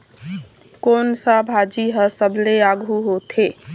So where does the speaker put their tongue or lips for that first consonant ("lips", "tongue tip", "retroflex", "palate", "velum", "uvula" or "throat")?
velum